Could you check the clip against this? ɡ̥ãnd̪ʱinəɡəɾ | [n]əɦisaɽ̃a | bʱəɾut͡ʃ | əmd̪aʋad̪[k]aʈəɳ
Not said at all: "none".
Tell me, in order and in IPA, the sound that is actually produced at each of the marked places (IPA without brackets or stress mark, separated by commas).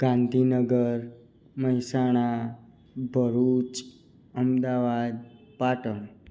m, p